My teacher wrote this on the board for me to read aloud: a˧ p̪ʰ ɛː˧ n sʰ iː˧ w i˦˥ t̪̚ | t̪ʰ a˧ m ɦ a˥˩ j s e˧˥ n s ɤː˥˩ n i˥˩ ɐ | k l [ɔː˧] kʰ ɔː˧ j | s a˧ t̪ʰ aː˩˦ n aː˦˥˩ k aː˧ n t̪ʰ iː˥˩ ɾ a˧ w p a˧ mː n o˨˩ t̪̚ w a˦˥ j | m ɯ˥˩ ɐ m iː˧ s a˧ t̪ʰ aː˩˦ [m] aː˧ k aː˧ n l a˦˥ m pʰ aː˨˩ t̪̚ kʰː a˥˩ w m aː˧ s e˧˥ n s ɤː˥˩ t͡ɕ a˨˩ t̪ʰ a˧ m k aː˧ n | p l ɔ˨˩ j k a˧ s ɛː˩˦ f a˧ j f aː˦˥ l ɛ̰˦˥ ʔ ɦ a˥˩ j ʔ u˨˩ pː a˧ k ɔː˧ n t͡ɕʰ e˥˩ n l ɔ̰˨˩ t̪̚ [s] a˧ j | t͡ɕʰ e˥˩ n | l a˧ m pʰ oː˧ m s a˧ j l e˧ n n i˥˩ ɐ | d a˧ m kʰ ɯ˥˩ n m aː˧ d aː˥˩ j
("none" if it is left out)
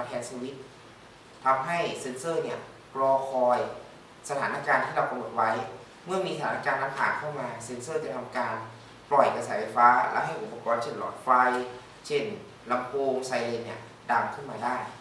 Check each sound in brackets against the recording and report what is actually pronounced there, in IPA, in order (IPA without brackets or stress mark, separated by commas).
ɔː˧, n, f